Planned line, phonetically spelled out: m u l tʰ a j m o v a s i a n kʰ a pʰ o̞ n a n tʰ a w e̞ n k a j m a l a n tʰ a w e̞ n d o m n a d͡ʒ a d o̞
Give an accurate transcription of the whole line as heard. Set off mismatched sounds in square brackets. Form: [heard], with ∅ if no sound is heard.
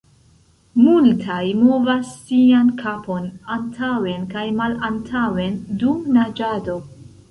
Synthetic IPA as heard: m u l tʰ a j m o v a [sː] i a n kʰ a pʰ o̞ n a n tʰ a w e̞ n k a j m a l a n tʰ a w e̞ n d [u] m n a d͡ʒ a d o̞